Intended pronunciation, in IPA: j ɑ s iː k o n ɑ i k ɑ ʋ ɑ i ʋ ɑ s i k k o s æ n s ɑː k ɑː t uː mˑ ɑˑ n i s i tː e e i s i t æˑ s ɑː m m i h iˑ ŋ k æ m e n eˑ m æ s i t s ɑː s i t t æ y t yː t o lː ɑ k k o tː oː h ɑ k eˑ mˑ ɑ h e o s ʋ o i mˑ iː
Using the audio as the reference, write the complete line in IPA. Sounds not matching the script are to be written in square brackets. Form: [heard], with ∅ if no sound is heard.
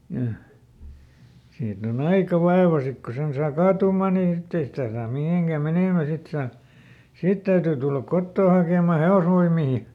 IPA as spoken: j ɑ s iː [t] o n ɑ i k ɑ ʋ ɑ [e] ʋ ɑ s i k k o s [e] n s ɑː k ɑː t uː mˑ ɑˑ n i s i tː e e i s i t æˑ s ɑː m m i h [eˑ] ŋ k æ m e n eˑ m æ s i t s ɑː s i t t æ y t yː t [u] lː ɑ k k o tː oː h ɑ k eˑ mˑ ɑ h e o s ʋ o i mˑ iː